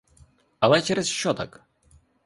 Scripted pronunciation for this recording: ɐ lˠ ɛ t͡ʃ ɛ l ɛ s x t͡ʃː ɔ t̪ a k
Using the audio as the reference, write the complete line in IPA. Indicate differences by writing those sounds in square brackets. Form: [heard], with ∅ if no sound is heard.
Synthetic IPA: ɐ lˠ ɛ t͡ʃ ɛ [ɾ] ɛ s [ʃ] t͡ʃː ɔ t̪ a k